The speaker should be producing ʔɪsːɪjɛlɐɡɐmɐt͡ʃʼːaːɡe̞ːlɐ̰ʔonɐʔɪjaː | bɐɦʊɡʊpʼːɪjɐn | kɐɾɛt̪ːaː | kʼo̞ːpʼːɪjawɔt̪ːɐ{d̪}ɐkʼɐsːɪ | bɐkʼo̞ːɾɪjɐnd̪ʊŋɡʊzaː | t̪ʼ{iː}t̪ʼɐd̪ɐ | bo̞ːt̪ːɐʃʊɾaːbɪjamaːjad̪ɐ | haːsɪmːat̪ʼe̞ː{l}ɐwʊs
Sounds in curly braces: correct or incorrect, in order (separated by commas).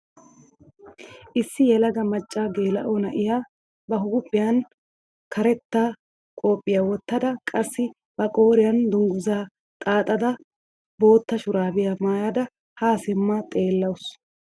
correct, incorrect, incorrect